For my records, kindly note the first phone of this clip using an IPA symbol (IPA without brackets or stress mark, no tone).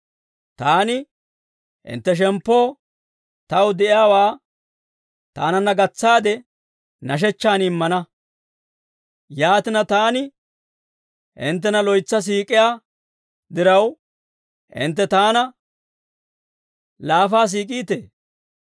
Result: t̪